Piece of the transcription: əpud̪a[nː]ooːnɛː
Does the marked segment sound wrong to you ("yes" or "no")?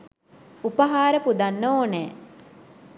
no